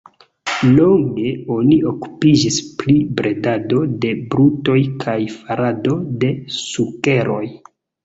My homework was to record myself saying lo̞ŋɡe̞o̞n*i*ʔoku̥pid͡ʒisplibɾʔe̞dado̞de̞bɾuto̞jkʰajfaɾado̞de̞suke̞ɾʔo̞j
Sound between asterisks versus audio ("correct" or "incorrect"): correct